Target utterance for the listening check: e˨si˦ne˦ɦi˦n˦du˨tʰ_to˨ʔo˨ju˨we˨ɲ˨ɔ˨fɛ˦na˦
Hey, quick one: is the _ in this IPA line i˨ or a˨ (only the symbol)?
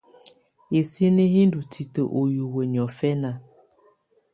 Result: i˨